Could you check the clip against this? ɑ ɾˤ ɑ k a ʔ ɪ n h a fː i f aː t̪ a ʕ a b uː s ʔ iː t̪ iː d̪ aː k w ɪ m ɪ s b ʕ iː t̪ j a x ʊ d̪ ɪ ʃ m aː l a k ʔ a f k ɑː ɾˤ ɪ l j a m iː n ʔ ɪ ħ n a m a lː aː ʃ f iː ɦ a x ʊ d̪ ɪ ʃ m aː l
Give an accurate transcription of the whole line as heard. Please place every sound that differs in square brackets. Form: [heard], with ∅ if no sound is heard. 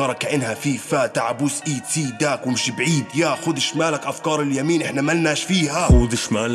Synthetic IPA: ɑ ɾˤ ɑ k a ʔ ɪ n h a [f] i f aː t̪ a ʕ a b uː s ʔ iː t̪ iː d̪ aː k w ɪ m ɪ [ʃ] b ʕ iː [d̪] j a x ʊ d̪ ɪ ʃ m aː l a k ʔ a f k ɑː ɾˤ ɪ l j a m iː n ʔ ɪ ħ n a m a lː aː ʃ f iː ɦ a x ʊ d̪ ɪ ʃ m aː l